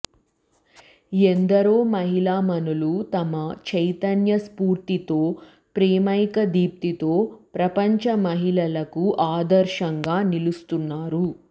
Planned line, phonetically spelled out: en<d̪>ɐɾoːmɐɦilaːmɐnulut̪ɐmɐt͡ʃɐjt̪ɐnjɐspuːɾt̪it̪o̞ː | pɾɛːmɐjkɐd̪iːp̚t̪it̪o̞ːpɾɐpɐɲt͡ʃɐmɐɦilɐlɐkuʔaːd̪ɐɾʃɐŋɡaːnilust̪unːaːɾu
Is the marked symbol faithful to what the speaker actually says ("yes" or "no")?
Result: yes